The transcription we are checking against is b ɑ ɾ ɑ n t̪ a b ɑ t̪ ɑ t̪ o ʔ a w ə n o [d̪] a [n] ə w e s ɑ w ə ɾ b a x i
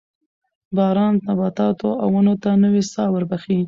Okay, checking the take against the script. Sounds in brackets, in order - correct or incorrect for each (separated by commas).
incorrect, correct